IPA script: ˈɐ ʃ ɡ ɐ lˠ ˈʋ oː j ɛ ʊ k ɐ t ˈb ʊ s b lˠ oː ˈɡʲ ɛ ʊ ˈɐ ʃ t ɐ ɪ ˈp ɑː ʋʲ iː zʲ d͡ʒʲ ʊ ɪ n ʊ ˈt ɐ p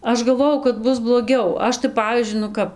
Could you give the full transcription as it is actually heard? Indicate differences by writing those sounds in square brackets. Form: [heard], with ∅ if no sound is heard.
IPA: ˈɐ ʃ ɡ ɐ lˠ ˈʋ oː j ɛ ʊ k ɐ t ˈb ʊ s b lˠ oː ˈɡʲ ɛ ʊ ˈɐ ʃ t ɐ ɪ ˈp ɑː ʋʲ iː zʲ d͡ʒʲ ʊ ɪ n ʊ [ˈk] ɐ p